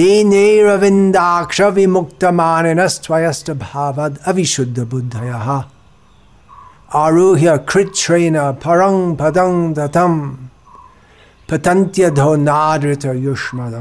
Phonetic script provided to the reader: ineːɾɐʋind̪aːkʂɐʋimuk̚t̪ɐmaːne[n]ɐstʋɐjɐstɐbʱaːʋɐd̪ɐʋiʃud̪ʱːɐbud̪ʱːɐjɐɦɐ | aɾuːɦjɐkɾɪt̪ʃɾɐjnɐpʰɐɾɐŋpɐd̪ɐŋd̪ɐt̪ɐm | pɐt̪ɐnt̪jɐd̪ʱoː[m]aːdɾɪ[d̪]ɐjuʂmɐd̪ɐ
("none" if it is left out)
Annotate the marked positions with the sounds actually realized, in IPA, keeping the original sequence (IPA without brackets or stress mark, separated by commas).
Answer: n, n, t̪